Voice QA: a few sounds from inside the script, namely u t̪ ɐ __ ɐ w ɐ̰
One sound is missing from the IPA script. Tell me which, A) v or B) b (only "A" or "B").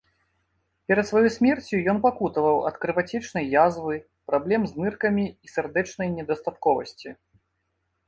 A